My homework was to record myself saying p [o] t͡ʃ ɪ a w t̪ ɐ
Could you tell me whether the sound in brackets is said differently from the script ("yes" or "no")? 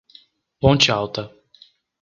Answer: yes